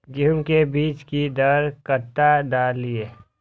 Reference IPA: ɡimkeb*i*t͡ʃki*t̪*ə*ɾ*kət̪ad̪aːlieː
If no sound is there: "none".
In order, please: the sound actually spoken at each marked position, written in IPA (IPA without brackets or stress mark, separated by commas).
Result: iː, d̪, ɾ